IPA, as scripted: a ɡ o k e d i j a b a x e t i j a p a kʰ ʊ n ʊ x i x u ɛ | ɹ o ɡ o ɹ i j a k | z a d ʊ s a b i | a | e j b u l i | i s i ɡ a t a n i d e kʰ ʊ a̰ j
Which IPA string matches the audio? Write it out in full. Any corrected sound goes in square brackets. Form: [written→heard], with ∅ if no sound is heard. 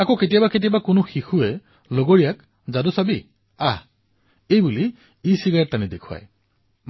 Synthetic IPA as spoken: a [ɡ→k] o k e [d→t] i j a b a [x→k] e t i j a [p→b] a [kʰ→k] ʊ n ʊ x i x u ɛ | [ɹ→l] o ɡ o ɹ i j a k | z a d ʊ s a b i | a | e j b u l i | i s i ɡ a t a n i d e kʰ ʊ a̰ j